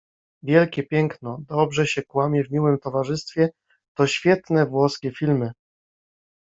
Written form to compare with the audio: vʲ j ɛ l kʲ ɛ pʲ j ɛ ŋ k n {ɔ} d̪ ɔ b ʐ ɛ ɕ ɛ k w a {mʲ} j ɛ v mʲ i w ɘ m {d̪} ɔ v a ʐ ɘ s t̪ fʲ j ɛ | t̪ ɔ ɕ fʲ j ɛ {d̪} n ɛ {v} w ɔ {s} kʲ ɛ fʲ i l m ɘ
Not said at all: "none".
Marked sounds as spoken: ɔ, mʲ, t̪, t̪, v, s

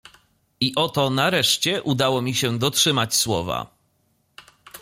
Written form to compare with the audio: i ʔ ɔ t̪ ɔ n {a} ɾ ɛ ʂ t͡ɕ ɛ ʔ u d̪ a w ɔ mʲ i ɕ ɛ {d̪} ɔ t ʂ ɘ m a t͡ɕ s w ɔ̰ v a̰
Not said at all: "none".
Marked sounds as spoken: a, d̪

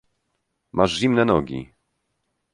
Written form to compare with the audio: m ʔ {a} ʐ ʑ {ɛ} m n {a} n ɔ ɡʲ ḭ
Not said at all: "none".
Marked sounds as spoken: a, i, ɛ

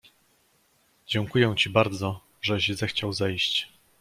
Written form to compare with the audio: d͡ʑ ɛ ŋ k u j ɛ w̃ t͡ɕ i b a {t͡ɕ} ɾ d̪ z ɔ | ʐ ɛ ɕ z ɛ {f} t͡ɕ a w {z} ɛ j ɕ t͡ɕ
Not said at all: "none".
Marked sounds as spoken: none, x, z

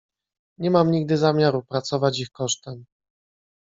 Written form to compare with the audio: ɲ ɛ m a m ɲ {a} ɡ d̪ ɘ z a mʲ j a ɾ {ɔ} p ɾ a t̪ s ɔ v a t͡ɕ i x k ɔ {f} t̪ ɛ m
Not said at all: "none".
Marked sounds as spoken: i, u, ʂ

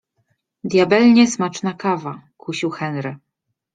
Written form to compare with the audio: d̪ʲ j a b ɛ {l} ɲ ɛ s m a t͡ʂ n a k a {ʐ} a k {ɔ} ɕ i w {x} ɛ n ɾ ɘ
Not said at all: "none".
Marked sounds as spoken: l, v, u, x

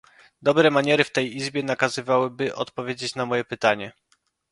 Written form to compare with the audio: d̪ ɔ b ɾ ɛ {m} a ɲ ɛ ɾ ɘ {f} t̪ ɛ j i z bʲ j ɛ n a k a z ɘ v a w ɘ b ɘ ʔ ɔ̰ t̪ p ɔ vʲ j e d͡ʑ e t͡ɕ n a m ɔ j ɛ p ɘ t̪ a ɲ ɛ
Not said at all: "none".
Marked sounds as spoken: m, f

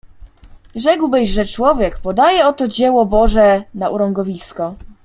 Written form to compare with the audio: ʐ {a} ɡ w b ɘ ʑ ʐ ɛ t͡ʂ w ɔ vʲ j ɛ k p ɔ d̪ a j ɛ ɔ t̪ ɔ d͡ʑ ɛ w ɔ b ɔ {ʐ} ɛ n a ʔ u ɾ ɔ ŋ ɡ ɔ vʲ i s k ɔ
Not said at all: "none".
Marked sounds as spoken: ɛ, ʐ

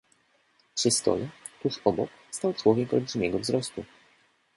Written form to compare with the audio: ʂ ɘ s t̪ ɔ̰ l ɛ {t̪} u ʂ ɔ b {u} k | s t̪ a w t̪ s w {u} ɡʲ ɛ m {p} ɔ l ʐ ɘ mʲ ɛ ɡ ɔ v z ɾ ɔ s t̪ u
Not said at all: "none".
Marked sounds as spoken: t̪, ɔ, ɔ, k

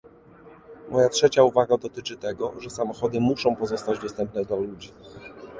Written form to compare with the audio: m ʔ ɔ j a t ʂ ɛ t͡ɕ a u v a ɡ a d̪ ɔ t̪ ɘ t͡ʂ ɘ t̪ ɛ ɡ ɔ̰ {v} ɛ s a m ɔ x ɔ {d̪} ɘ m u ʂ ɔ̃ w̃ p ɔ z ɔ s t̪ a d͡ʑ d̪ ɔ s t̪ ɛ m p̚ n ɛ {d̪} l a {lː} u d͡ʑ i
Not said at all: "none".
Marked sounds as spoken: ʐ, d̪, d̪, l

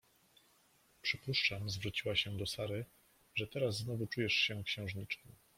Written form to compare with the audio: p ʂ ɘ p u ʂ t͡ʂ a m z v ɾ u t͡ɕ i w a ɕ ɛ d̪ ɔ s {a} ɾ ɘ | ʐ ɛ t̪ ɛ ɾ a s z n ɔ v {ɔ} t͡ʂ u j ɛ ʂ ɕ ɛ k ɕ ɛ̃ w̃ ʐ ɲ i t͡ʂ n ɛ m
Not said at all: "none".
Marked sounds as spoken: a, u

